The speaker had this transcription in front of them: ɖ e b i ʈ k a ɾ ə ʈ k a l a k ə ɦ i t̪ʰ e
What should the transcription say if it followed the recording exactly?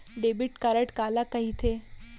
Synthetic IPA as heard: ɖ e b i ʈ k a ɾ ə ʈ k a l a k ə ɦ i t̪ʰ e